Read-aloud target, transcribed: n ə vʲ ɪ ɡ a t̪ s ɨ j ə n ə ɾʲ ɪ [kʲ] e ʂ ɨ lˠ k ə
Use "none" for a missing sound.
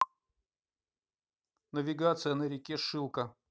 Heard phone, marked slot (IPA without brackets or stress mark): kʲ